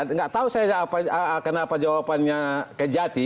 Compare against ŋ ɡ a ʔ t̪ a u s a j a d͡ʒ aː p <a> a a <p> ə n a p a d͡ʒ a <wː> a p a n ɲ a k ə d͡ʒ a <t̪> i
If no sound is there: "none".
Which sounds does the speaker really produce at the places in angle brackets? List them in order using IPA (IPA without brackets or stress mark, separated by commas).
a, k, w, t̪